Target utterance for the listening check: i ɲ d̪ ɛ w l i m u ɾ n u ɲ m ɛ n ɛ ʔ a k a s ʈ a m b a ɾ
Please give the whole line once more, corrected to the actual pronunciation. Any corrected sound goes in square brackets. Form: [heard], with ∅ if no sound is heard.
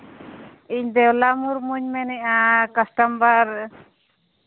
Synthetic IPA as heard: i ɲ d̪ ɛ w l [a] m u ɾ [m] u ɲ m ɛ n ɛ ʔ a k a s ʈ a m b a ɾ